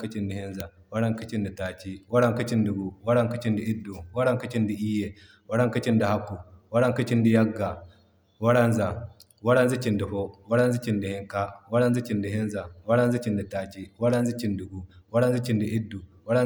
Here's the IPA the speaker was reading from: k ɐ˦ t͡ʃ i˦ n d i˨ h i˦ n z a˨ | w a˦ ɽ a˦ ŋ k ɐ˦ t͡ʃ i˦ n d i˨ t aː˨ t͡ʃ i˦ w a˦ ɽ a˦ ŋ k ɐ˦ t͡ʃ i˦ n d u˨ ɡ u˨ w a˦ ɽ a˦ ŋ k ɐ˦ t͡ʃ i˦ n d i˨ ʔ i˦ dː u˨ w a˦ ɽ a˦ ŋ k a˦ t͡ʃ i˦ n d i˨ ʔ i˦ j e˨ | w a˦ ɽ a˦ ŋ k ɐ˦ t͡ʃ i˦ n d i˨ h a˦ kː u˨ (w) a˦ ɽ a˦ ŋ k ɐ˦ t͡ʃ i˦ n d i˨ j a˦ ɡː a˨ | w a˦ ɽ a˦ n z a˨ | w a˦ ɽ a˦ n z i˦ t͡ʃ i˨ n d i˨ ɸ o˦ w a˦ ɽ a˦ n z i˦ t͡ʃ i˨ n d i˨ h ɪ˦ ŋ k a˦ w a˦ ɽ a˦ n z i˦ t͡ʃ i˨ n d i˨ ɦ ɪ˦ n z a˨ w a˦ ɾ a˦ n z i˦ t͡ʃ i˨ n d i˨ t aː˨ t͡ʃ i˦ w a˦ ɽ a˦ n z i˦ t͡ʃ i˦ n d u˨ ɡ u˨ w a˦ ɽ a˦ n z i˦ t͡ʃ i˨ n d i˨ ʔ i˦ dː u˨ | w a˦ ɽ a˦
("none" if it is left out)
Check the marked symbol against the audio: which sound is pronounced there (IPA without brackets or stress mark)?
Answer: w